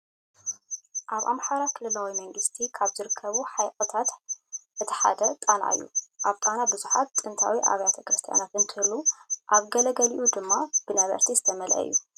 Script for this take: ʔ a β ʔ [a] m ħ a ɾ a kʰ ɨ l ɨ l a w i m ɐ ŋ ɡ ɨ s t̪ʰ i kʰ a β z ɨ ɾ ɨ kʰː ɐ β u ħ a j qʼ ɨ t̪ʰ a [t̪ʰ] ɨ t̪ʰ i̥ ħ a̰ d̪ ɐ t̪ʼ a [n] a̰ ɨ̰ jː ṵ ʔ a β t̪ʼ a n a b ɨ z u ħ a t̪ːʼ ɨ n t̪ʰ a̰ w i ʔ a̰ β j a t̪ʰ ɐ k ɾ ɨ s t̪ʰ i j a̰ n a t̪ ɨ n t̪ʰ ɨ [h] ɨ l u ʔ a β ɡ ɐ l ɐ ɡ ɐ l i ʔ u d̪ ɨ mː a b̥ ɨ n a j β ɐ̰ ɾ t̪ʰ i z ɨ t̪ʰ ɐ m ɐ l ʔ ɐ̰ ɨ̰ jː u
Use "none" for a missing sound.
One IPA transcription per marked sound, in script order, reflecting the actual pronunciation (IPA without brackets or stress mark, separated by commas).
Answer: a, t̪, n, h